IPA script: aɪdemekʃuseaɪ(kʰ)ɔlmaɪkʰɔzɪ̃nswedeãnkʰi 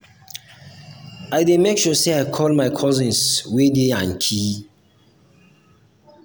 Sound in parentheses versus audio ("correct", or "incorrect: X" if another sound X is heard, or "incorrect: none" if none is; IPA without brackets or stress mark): correct